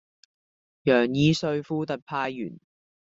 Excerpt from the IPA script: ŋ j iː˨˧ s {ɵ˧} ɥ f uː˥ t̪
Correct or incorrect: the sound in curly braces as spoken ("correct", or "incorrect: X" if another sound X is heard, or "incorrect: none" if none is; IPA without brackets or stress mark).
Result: correct